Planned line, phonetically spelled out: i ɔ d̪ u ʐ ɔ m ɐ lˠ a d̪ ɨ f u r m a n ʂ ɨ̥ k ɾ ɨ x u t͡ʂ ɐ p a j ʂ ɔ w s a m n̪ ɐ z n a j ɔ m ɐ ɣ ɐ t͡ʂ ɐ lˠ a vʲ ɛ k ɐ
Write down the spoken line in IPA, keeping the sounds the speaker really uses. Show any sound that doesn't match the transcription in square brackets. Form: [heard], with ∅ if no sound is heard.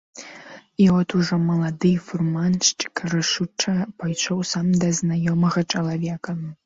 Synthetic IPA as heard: i ɔ [t̪] u ʐ ɔ m ɐ lˠ a d̪ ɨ f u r m a n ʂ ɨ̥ k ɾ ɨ [ʂ] u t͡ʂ ɐ p a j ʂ ɔ w s a m [d̪] ɐ z n a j ɔ m ɐ ɣ ɐ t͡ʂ ɐ lˠ a vʲ ɛ k ɐ